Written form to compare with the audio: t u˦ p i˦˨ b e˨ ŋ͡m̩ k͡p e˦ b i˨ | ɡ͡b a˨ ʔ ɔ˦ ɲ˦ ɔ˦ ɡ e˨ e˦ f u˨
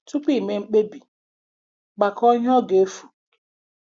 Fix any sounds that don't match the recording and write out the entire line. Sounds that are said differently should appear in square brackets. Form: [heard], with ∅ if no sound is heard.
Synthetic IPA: t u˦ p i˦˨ [m] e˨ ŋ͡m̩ k͡p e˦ b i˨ | ɡ͡b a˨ [k] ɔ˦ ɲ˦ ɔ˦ ɡ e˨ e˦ f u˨